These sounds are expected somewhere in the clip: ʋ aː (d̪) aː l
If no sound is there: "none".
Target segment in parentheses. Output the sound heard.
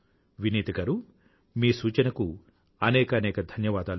d̪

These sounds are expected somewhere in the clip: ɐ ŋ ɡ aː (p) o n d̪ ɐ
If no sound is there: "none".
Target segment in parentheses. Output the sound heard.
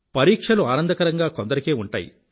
k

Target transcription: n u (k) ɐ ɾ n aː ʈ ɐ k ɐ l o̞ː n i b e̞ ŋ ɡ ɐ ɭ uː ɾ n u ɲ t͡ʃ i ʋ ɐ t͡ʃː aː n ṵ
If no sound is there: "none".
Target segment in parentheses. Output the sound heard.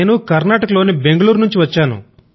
k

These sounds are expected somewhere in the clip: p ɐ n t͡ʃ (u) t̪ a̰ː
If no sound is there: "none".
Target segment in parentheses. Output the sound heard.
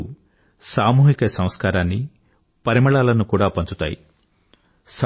u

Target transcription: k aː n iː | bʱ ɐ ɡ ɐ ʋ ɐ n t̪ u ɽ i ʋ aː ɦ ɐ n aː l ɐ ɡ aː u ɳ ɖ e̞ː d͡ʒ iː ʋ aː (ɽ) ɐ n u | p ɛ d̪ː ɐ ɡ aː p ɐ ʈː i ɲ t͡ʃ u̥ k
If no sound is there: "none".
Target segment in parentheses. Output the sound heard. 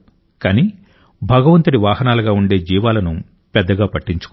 l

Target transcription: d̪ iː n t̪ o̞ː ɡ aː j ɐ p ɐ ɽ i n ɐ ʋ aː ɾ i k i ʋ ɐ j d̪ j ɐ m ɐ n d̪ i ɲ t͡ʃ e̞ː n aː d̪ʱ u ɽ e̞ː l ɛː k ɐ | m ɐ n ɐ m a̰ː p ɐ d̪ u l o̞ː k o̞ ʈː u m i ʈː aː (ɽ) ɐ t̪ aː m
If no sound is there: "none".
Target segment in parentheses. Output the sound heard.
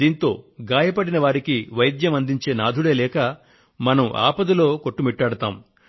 ɽ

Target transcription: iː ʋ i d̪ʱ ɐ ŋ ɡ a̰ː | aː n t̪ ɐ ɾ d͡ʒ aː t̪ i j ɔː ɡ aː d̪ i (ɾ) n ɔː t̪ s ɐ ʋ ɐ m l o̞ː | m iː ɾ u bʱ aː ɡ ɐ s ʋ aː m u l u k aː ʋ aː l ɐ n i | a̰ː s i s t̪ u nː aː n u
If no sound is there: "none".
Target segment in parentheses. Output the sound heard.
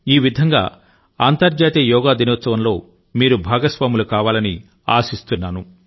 none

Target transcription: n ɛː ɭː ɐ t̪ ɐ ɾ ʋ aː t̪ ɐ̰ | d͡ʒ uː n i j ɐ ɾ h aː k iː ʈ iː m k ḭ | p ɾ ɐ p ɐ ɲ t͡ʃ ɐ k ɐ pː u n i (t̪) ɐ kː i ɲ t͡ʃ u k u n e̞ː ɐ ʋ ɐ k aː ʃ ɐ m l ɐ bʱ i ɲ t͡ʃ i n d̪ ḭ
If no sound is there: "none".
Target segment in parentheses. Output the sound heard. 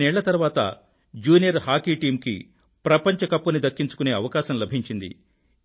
d̪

